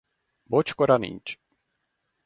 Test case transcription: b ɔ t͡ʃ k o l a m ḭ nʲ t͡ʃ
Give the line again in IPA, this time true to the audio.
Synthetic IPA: b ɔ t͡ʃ k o ɾ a n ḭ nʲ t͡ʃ